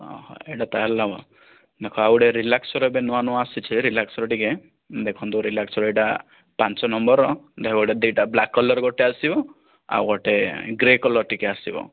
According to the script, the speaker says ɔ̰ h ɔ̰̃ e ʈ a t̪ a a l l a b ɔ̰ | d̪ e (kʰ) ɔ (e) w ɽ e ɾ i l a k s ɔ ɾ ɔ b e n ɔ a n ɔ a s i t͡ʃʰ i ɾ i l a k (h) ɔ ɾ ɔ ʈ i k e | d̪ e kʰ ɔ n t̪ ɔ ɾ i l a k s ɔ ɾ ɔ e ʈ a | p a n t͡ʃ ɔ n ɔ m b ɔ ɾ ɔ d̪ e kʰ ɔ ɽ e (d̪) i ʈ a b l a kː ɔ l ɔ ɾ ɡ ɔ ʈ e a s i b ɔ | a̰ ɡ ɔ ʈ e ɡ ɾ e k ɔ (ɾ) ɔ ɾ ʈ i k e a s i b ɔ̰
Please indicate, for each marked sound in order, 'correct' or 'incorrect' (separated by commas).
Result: correct, incorrect, incorrect, correct, incorrect